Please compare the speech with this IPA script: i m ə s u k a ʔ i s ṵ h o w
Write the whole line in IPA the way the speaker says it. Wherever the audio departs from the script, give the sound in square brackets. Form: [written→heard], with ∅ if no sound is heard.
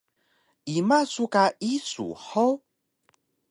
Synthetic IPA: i m [ə→a] s u k a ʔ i s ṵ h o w